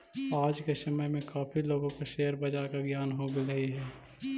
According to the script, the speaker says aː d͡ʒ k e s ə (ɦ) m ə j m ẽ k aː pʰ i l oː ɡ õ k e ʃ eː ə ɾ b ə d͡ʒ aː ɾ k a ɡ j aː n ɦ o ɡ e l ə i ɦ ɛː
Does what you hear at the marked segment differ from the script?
yes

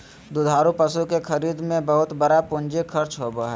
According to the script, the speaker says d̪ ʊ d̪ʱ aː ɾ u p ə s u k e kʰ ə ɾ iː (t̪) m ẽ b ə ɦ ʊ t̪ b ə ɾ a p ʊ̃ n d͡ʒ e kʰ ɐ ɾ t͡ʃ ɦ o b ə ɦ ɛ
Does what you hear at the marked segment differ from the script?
yes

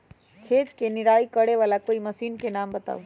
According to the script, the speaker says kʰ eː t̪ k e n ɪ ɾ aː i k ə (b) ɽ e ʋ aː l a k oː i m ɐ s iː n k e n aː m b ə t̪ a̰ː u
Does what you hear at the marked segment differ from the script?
yes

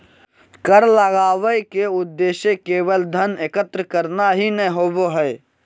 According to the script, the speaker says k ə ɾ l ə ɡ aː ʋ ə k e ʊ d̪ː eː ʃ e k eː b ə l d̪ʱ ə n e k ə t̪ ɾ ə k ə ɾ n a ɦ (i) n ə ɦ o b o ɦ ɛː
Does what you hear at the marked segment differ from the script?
no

